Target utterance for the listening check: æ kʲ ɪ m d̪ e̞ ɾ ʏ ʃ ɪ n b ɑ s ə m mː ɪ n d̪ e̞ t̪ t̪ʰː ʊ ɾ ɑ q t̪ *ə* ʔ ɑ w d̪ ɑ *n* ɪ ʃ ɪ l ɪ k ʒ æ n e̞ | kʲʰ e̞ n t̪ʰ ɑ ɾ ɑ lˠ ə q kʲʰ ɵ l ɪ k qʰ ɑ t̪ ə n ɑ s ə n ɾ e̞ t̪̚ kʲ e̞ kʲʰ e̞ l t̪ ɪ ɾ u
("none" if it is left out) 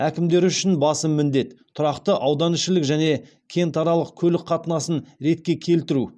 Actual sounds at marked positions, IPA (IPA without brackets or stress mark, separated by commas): ə, n